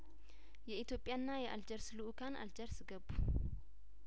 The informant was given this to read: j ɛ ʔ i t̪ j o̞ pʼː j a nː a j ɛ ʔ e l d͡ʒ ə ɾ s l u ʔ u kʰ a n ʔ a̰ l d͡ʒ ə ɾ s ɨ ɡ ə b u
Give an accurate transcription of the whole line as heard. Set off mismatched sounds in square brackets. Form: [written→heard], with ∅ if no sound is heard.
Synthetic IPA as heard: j ɛ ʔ i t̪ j o̞ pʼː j a nː a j ɛ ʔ [e→a] l d͡ʒ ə ɾ s l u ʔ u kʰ a n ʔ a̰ l d͡ʒ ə ɾ s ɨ ɡ ə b u